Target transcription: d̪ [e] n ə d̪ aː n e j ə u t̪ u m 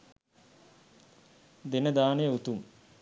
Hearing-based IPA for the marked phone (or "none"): e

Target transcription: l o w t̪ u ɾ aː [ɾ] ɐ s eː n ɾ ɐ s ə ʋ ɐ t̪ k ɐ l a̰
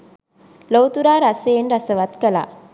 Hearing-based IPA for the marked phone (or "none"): ɾ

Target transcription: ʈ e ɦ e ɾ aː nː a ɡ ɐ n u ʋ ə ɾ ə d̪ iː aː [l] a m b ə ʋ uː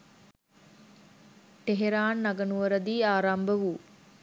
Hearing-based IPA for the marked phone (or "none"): ɾ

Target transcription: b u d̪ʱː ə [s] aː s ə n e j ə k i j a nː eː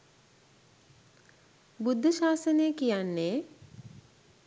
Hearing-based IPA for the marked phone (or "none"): ʃ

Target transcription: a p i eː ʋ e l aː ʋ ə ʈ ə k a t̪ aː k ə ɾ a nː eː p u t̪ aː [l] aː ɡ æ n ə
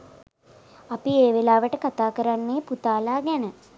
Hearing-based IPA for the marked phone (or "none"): l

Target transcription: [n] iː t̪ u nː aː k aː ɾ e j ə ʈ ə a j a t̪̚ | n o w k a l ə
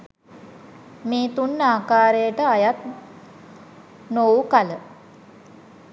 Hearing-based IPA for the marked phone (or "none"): m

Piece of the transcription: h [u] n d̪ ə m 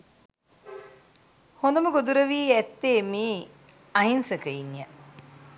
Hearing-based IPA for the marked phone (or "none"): o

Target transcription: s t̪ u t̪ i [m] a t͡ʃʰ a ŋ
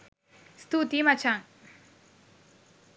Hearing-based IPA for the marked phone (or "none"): m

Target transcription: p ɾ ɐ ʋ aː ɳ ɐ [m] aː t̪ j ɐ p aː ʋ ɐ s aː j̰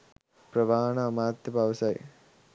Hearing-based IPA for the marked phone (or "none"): m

